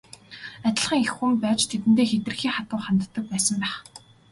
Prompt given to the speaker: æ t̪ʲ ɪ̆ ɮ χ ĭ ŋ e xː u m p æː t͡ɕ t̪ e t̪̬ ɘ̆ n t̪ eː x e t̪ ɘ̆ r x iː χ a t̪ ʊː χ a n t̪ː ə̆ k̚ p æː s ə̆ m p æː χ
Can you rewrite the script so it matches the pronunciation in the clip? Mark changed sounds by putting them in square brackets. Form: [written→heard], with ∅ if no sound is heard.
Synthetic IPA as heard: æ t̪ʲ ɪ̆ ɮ χ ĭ ŋ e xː u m p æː t͡ɕ [t̪→t̪ʰ] e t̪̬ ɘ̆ n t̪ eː x e t̪ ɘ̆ r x iː χ a t̪ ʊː χ a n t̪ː ə̆ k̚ p æː s ə̆ m p æː χ